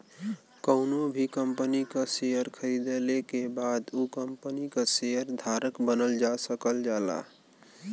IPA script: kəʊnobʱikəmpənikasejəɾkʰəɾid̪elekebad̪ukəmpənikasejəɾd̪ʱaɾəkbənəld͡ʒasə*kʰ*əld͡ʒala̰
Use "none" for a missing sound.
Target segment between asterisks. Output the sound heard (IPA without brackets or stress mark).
k